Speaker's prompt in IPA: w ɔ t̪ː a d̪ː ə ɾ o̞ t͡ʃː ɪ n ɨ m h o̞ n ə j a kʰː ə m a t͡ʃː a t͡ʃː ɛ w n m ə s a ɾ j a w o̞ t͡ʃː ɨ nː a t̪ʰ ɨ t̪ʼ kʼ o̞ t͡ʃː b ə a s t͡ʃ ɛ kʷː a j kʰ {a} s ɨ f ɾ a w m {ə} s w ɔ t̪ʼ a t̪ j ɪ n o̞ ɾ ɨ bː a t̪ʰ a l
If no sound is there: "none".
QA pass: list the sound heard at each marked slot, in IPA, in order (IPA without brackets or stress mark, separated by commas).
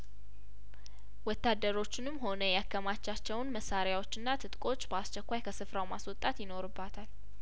ə, a